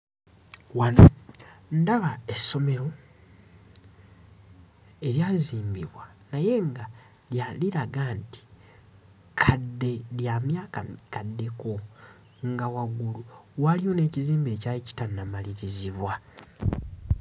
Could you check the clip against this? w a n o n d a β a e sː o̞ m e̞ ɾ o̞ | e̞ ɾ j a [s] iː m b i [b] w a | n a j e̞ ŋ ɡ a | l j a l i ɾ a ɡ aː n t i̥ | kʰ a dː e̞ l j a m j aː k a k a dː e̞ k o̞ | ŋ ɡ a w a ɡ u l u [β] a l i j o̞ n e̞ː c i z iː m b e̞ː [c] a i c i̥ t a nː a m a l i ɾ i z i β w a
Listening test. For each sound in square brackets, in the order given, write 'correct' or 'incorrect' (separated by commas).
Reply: incorrect, incorrect, incorrect, correct